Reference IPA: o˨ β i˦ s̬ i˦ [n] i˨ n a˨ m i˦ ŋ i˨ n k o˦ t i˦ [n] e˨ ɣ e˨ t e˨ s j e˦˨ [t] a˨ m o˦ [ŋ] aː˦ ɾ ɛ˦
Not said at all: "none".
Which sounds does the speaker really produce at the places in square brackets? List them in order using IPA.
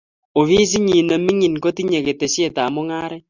ɲ, ɲ, t, ŋ

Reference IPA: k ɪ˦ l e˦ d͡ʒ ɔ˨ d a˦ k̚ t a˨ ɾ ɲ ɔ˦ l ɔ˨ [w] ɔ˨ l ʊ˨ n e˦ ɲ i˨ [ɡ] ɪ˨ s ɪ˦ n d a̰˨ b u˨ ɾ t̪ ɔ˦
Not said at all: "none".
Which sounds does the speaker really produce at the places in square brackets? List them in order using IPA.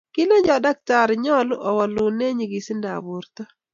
w, ɡ

